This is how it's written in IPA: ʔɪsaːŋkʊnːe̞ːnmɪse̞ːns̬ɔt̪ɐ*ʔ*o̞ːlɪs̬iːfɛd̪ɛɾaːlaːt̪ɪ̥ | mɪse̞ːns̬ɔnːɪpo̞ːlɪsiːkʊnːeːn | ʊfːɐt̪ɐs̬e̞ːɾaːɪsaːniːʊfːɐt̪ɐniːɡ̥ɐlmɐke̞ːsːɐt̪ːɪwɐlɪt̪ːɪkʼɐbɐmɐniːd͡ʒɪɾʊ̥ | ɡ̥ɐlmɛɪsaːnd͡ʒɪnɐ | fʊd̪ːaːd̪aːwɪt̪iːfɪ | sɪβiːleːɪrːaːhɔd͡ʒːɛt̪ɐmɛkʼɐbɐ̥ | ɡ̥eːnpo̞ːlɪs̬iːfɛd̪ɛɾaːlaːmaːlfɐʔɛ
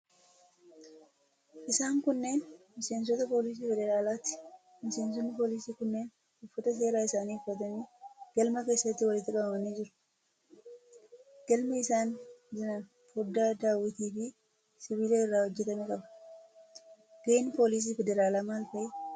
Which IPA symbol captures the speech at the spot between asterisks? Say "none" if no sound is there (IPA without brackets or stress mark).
p